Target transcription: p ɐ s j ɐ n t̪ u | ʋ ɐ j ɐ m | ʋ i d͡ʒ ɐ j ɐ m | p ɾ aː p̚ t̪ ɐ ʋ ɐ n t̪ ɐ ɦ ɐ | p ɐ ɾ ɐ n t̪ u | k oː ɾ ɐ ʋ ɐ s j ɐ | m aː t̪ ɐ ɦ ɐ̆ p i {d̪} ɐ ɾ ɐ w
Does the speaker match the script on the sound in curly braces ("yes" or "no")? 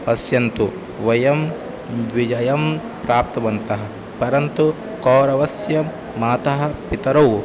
no